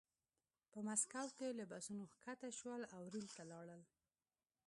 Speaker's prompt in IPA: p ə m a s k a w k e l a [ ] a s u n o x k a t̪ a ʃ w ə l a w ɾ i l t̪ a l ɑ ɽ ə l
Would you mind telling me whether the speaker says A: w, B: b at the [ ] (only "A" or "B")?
B